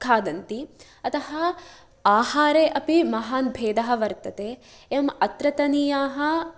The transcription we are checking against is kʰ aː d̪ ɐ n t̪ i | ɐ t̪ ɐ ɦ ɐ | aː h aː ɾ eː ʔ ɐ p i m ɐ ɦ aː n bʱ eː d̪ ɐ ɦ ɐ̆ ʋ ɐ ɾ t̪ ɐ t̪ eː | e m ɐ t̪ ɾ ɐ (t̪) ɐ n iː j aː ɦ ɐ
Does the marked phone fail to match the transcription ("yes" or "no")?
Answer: no